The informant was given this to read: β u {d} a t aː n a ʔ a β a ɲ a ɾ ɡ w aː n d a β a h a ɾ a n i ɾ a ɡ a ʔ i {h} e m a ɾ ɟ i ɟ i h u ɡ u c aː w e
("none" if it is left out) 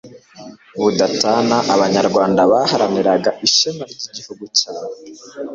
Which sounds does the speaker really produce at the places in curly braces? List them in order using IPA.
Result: d, ʃ

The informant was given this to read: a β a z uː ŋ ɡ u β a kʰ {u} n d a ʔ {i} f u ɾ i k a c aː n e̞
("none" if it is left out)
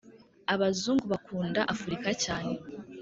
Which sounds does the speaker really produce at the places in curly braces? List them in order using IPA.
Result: uː, a

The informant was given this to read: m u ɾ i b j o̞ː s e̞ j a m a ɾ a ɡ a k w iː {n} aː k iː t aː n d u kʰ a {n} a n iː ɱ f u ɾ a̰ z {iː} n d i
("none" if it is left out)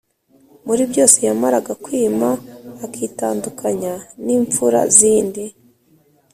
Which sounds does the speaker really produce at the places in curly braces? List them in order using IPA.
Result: m, ɲ, iː

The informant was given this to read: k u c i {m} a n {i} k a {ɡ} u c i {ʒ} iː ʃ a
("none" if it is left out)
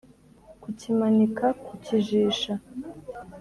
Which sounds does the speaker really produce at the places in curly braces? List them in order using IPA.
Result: m, i, k, ʒ

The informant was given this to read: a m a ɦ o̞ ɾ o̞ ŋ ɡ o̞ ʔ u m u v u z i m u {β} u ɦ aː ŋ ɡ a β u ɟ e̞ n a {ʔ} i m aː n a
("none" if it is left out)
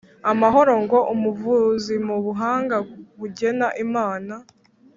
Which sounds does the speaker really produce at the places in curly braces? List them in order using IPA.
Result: β, ʔ

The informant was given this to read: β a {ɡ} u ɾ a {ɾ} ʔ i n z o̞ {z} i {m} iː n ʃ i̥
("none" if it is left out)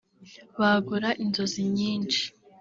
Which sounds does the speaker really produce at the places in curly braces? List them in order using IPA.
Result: ɡ, none, z, ɲ

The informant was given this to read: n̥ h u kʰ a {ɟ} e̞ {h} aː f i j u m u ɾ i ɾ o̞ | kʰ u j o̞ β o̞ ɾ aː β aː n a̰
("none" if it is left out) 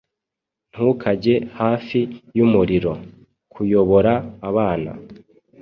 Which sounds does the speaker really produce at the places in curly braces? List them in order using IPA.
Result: ɟ, h

